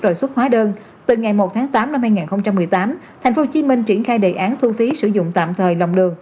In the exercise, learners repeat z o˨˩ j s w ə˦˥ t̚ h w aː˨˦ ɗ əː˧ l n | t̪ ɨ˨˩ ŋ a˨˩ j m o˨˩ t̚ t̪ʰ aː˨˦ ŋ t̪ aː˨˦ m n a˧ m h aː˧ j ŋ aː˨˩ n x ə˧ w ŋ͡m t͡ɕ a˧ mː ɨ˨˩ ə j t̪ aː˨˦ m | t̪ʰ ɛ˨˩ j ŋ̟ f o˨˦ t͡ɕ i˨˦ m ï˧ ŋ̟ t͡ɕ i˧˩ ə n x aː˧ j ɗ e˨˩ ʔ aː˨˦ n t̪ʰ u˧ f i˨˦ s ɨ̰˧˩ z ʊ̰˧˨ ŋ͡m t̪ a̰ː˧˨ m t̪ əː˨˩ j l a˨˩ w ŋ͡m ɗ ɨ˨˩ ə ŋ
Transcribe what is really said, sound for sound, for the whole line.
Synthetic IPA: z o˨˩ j s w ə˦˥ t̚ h w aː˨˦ ɗ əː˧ n | t̪ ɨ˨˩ ŋ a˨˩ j m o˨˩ t̚ t̪ʰ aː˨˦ ŋ t̪ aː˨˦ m n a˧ m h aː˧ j ŋ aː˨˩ n x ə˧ w ŋ͡m t͡ɕ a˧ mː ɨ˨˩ ə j t̪ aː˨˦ m | t̪ʰ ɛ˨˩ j ŋ̟ f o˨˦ t͡ɕ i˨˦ m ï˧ ŋ̟ t͡ɕ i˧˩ ə n x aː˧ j ɗ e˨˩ ʔ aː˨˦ n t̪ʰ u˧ f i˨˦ s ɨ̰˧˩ z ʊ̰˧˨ ŋ͡m t̪ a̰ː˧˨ m t̪ʰ əː˨˩ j l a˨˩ w ŋ͡m ɗ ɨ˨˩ ə ŋ